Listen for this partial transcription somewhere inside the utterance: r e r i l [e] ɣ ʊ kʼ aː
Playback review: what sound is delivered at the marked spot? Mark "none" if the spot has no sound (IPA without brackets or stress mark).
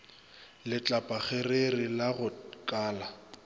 a